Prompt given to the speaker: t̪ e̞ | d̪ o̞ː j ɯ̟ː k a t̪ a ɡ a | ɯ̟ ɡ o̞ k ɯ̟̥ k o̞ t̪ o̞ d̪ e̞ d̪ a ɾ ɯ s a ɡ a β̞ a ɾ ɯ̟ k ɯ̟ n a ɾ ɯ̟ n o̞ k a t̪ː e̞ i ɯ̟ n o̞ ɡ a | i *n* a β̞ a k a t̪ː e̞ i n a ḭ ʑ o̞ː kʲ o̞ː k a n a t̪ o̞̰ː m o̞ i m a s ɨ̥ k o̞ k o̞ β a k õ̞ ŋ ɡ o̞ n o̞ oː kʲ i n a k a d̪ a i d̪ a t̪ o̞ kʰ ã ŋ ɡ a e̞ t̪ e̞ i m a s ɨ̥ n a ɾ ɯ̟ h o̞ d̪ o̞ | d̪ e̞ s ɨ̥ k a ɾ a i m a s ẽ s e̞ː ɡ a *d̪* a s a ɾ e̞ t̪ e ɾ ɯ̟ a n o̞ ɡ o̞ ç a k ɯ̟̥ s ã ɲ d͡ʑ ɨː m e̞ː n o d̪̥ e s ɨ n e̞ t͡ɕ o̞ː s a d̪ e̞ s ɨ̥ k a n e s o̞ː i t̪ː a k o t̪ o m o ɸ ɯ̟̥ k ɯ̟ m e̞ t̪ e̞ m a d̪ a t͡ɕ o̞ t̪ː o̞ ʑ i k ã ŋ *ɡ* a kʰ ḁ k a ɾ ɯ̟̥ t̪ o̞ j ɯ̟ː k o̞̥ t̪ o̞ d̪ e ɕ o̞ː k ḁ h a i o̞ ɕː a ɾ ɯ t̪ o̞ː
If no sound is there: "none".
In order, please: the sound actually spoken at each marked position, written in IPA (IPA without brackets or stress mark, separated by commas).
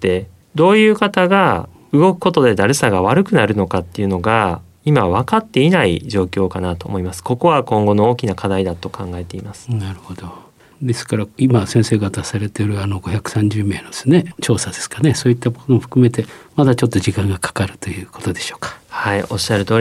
m, t̪, ɡ